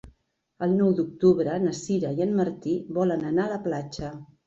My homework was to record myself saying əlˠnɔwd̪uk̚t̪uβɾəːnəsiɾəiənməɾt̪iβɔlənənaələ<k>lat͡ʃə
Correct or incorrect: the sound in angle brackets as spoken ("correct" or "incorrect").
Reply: incorrect